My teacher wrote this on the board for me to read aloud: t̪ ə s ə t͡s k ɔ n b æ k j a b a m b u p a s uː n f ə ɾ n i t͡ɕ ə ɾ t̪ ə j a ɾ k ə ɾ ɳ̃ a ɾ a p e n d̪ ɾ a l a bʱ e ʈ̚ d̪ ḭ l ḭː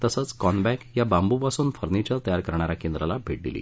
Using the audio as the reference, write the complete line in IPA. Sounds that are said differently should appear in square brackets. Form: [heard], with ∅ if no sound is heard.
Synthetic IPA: t̪ ə s ə t͡s k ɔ n b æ k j a b a m b u p a s uː n f ə ɾ n i t͡ɕ ə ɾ t̪ ə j a ɾ k ə ɾ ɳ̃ a ɾ a [k] e n d̪ ɾ a l a bʱ e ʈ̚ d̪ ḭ l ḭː